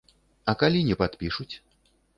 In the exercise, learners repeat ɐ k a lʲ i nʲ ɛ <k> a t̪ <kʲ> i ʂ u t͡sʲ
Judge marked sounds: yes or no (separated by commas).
no, no